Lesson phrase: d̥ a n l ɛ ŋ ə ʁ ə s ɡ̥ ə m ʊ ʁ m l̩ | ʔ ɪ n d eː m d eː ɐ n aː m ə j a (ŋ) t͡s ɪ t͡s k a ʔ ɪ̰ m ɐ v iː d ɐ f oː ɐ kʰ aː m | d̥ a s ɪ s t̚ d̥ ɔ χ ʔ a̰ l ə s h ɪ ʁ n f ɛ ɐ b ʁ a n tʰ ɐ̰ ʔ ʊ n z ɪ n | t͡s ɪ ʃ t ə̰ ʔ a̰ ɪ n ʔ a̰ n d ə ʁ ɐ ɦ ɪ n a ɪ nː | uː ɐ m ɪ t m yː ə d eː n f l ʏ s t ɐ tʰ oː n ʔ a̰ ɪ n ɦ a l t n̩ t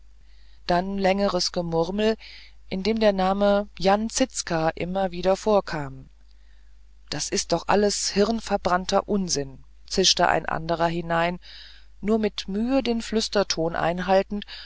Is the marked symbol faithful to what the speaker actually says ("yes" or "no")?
no